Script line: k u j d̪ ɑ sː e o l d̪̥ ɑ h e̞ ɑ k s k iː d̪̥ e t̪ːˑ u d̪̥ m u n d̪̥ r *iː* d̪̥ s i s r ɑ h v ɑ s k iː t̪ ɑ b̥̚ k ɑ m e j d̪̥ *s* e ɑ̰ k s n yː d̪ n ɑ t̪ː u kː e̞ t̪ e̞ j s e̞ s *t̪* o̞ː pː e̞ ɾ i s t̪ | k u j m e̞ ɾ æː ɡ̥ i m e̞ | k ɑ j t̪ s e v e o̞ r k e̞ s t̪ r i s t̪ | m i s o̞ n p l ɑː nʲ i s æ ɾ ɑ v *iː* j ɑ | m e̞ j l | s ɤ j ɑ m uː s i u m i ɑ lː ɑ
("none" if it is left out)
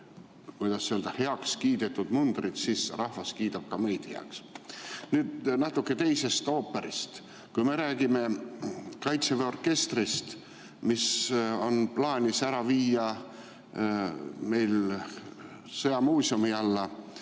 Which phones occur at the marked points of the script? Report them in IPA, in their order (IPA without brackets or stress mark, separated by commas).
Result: i, h, t̪, iː